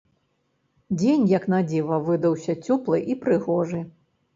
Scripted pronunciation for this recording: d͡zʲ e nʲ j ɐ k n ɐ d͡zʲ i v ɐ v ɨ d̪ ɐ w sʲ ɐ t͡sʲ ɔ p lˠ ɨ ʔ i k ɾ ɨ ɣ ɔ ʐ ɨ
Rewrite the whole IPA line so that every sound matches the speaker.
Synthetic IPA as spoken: d͡zʲ e nʲ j ɐ k n a d͡zʲ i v ɐ v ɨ d̪ ɐ w sʲ ɐ t͡sʲ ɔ p lˠ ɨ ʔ i p ɾ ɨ ɣ ɔ ʐ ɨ